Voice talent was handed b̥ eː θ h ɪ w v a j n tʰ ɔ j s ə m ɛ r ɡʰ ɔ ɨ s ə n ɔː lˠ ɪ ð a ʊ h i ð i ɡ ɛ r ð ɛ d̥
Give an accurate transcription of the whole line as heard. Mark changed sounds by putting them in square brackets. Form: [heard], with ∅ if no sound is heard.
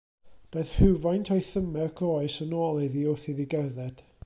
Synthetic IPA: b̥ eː θ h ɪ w v a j n tʰ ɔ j [θ] ə m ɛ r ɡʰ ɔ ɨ s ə n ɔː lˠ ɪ ð [i] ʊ [θ] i ð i ɡ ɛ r ð ɛ d̥